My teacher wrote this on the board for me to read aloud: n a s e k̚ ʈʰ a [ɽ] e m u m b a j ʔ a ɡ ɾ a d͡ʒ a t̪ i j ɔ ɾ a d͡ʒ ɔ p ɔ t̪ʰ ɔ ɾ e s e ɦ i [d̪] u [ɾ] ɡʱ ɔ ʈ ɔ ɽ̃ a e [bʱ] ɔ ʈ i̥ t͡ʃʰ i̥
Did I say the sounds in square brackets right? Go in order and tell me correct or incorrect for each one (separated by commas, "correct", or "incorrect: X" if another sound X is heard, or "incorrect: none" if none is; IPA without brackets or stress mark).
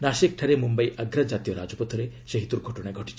incorrect: ɾ, incorrect: t̪, correct, incorrect: ɡʱ